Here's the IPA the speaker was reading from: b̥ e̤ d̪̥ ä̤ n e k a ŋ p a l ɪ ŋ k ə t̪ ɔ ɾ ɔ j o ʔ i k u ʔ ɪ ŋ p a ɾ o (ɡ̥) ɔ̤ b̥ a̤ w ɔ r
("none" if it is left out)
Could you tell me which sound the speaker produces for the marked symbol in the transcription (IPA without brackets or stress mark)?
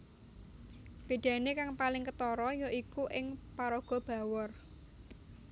ɡ̥